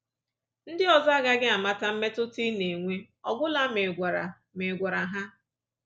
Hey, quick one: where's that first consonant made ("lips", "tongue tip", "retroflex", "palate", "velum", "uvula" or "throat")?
tongue tip